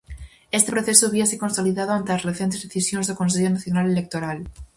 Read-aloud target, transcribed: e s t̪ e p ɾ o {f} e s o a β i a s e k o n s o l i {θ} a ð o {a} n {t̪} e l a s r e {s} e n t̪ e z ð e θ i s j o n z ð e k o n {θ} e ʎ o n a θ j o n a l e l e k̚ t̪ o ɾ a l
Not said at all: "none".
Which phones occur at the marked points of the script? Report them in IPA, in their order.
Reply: θ, ð, a, t̪, θ, s

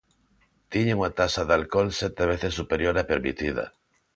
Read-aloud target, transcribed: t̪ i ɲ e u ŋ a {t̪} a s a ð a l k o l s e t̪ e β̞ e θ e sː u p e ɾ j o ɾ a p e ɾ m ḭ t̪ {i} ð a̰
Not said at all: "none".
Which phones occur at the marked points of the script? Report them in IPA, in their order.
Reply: t̪, i

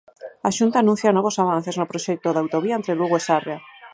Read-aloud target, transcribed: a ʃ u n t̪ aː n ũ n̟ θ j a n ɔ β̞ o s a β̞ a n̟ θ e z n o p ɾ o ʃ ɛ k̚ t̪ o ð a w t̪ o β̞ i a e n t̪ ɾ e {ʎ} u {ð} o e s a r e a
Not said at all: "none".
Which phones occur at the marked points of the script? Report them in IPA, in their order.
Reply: l, ɣ

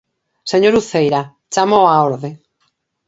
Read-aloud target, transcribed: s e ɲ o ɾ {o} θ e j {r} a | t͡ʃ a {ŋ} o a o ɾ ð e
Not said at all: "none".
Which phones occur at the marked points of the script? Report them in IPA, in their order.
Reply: u, ɾ, m

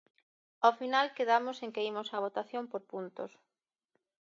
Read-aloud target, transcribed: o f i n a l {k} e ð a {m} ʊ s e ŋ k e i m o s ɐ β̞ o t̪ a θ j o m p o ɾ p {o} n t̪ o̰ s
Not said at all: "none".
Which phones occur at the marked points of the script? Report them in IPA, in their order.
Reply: k, m, u

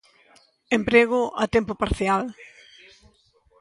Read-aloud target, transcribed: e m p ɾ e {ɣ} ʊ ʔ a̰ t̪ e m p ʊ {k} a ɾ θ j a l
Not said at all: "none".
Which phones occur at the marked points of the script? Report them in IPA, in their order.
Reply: ɣ, p

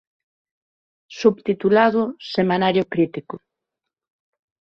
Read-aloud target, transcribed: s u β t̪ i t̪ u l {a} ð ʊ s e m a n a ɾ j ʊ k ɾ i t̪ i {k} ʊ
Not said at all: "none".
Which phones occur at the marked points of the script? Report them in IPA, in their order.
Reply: a, k

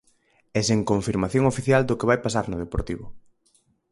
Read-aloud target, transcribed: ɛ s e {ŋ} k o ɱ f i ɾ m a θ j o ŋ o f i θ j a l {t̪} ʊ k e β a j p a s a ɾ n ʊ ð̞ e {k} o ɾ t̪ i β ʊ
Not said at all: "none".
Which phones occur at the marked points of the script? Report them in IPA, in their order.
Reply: ŋ, d̪, p

